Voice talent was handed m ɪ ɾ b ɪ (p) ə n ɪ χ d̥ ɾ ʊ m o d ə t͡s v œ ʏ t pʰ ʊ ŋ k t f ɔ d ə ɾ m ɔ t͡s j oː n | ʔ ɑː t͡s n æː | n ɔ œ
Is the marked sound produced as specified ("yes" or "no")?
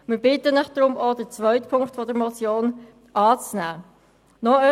no